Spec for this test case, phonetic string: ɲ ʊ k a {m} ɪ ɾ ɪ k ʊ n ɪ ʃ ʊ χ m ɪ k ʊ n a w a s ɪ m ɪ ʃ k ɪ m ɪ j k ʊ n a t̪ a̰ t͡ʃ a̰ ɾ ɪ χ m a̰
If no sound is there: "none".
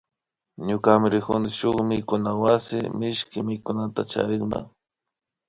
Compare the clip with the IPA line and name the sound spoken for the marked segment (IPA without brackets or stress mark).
m